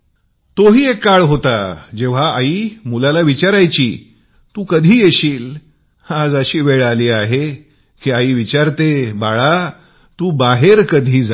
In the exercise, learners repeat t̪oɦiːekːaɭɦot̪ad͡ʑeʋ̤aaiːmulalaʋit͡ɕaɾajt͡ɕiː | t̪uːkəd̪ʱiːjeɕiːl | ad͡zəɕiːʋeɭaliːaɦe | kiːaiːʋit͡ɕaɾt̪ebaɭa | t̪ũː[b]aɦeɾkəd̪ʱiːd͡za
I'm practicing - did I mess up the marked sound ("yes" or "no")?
no